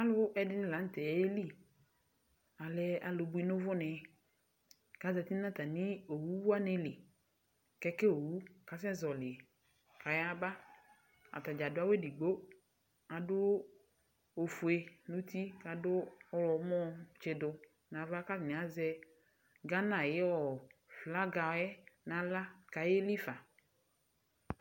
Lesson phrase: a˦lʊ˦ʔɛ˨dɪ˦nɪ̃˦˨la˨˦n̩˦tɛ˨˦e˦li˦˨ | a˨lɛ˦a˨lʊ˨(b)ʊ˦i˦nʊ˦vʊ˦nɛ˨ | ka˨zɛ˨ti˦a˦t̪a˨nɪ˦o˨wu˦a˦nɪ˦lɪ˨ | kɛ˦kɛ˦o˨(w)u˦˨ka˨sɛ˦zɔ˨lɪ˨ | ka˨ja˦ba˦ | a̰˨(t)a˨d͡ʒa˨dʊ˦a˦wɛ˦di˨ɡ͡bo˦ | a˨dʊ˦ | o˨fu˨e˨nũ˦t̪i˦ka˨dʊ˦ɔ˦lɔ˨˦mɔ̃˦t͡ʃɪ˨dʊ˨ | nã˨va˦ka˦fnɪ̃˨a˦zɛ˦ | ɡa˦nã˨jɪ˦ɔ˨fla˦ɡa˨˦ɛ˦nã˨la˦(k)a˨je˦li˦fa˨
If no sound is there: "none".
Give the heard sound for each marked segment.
b, w, t, k

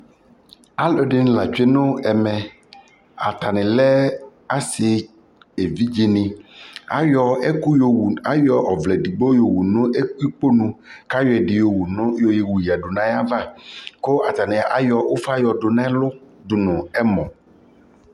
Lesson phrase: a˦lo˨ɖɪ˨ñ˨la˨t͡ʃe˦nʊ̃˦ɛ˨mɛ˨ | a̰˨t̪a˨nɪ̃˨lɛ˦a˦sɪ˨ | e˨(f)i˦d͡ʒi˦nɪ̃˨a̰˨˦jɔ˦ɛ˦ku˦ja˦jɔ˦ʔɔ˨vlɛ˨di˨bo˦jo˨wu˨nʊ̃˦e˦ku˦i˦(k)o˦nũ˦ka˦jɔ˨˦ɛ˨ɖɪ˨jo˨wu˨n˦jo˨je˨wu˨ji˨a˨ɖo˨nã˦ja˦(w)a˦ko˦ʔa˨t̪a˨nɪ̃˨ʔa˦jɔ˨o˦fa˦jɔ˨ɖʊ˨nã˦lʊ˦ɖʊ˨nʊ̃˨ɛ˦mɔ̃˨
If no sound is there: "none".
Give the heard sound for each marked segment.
v, k͡p, v

